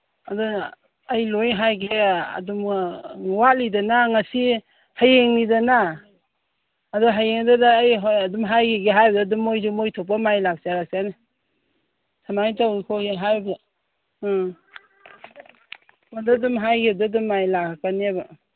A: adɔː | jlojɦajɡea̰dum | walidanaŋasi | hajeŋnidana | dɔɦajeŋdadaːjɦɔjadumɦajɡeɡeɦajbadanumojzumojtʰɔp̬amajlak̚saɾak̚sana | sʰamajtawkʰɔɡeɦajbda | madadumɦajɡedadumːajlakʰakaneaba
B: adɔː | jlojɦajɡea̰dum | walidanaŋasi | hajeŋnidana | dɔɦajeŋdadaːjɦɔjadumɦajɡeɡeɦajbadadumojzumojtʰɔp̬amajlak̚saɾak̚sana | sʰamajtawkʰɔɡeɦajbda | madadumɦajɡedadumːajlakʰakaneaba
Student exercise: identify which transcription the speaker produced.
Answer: B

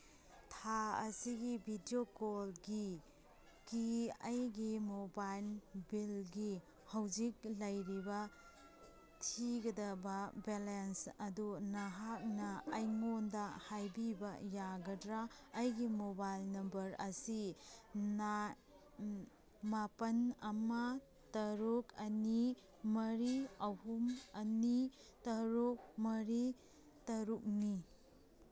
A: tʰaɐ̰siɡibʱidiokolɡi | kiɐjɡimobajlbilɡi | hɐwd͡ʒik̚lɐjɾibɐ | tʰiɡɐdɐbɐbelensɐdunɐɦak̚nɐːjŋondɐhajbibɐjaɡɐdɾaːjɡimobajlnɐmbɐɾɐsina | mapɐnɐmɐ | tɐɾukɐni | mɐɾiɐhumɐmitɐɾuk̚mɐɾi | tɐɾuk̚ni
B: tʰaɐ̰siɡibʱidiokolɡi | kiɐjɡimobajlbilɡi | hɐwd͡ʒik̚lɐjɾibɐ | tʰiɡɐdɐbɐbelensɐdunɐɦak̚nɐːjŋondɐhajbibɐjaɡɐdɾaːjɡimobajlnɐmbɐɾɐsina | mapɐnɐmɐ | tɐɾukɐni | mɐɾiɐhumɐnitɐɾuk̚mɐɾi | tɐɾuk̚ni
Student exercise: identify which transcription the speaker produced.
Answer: B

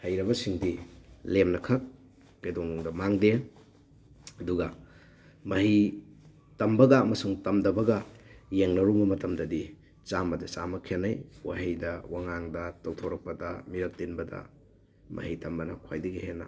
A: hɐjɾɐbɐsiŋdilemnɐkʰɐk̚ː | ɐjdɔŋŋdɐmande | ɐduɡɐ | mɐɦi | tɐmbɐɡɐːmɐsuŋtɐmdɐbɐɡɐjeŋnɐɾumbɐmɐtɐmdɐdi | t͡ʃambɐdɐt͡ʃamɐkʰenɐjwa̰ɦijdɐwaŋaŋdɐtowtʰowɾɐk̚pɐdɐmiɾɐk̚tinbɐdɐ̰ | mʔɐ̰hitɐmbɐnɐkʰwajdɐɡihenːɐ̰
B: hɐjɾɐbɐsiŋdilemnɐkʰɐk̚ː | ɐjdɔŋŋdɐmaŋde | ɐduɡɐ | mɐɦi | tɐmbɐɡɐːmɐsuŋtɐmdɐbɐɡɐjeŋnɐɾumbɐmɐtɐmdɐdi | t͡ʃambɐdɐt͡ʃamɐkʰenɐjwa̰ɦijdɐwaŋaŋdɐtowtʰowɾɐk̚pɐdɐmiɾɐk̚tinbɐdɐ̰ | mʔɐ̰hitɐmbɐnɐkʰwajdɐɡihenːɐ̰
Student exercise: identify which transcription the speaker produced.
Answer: B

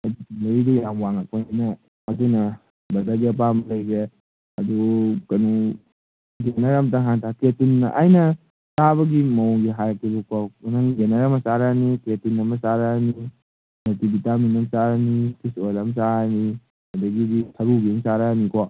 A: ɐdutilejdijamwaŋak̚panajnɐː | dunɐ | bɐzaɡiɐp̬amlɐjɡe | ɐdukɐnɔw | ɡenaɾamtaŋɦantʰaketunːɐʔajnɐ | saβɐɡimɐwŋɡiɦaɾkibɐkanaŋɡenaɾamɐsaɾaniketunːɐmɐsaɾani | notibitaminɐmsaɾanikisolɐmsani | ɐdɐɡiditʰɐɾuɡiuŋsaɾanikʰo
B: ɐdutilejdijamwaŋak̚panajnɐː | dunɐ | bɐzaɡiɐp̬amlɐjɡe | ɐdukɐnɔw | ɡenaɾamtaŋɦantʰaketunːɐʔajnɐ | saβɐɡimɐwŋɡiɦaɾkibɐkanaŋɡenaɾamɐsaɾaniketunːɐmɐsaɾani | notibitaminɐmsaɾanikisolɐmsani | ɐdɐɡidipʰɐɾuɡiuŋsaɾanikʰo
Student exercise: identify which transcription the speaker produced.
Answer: A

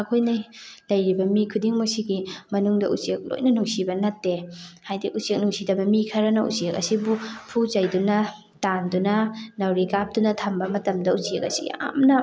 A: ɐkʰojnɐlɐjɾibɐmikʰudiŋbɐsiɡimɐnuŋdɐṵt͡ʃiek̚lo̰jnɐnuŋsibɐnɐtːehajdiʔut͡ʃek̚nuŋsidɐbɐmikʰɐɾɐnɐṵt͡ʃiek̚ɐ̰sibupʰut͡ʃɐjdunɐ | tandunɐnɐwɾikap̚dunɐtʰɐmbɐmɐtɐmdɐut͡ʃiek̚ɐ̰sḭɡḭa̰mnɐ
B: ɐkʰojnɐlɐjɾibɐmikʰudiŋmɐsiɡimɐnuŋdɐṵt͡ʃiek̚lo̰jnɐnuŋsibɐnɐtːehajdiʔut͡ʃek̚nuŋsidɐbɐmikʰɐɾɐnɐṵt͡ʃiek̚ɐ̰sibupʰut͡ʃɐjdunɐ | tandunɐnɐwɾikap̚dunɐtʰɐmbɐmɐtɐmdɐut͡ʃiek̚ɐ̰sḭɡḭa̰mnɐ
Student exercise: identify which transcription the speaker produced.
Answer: B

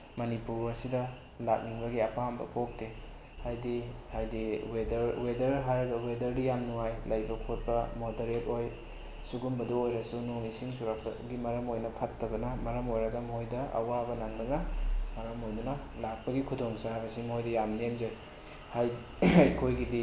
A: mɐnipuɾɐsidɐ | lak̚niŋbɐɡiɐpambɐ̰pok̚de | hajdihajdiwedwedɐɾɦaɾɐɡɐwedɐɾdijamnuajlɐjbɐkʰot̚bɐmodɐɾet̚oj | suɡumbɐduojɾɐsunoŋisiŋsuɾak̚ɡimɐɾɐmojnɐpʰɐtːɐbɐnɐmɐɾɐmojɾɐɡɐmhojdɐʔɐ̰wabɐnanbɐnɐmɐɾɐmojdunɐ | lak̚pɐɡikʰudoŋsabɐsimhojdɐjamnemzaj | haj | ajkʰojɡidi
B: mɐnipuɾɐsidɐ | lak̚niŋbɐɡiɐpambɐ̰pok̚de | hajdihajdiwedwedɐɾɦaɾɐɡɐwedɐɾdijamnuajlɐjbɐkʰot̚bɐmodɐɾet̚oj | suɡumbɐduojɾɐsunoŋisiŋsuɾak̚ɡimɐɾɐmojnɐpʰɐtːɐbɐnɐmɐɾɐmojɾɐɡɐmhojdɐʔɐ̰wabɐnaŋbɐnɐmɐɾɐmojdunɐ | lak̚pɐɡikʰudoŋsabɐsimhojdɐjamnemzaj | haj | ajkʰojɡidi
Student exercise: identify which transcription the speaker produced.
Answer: B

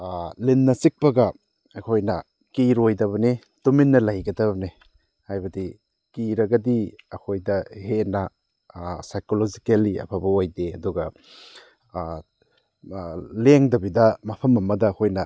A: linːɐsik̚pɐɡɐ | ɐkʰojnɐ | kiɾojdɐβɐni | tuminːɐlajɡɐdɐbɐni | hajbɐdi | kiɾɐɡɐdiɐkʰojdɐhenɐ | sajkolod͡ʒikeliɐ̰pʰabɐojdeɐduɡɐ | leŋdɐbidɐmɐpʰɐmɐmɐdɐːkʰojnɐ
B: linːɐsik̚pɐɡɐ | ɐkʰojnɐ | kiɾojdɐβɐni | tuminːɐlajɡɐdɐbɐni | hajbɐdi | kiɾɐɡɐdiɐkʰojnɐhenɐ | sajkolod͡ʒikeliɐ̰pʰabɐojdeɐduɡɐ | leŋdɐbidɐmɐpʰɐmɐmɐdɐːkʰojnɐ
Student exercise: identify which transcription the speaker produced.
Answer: A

